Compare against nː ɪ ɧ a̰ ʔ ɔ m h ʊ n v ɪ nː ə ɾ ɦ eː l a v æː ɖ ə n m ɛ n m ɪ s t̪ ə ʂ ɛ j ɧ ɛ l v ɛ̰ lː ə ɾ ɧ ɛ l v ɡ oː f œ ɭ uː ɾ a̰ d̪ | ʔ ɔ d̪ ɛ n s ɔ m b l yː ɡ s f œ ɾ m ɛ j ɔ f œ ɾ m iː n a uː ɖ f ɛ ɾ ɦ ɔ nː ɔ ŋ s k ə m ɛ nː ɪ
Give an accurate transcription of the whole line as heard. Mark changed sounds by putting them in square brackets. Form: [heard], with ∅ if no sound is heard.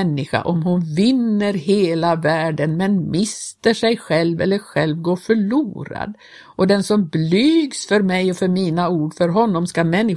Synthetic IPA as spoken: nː ɪ ɧ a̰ ʔ ɔ m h ʊ n v ɪ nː ə ɾ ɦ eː l a v æː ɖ ə n m ɛ n m ɪ s t̪ ə ʂ ɛ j ɧ ɛ l v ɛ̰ lː ə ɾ ɧ ɛ l v ɡ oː f œ ɭ uː ɾ a̰ d̪ | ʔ ɔ d̪ ɛ n s ɔ m b l yː ɡ s f œ ɾ m ɛ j ɔ f œ ɾ m iː n a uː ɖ f [œ] ɾ ɦ ɔ nː ɔ [m] s k [a] m ɛ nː ɪ